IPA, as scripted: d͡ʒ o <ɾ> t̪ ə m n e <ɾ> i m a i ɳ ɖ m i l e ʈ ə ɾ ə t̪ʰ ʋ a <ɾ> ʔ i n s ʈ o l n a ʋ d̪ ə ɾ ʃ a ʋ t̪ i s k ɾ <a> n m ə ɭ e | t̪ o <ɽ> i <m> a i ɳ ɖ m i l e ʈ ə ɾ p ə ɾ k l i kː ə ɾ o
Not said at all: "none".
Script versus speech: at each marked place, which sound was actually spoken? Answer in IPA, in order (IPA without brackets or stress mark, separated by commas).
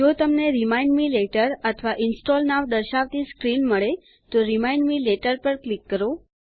none, ɾ, none, i, ɾ, m